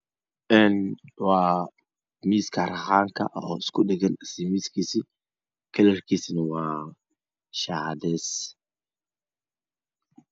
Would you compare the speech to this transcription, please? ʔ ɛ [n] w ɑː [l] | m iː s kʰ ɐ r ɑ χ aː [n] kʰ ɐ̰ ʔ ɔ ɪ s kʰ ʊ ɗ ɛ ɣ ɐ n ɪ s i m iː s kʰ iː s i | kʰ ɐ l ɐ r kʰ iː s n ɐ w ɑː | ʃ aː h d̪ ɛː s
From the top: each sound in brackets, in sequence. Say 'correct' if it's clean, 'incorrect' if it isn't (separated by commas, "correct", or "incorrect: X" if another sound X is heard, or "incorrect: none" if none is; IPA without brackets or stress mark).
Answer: correct, incorrect: none, incorrect: ŋ